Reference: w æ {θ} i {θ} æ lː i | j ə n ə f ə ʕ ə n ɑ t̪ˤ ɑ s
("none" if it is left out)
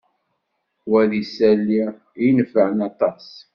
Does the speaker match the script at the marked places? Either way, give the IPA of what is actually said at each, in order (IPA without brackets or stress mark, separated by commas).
ð, s